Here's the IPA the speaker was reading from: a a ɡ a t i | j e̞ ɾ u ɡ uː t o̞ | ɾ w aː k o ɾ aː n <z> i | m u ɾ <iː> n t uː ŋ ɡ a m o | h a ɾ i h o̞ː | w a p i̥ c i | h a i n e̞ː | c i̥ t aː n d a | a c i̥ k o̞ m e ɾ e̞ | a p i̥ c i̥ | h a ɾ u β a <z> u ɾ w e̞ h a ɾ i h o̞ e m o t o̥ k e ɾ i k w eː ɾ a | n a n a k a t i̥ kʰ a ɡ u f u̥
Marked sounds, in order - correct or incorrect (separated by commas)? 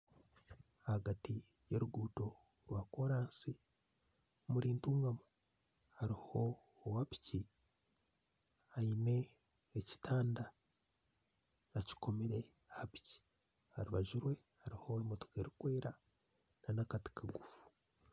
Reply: incorrect, correct, incorrect